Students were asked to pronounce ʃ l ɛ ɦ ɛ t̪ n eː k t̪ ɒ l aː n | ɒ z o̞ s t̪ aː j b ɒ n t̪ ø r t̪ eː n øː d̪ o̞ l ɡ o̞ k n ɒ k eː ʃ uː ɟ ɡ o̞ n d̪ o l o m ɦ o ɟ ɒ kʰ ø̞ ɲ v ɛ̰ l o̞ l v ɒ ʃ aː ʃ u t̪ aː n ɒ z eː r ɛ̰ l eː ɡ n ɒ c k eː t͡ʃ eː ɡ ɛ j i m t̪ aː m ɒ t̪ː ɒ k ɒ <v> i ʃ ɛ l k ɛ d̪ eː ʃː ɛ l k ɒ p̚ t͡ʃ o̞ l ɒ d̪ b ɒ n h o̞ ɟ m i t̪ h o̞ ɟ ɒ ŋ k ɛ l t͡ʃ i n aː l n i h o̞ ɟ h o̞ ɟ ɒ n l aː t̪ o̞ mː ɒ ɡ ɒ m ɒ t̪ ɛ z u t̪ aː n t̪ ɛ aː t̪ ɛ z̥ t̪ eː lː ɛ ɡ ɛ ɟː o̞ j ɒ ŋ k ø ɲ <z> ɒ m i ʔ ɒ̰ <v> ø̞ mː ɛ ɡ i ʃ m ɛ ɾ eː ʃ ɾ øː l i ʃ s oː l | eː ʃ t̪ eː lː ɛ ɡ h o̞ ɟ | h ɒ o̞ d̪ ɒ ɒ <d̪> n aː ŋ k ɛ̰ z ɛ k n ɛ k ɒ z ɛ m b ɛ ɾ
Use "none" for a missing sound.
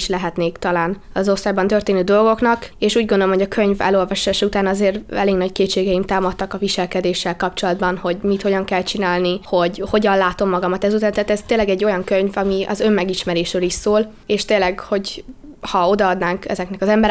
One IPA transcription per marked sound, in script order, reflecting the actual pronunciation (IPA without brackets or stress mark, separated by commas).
v, v, z, d̪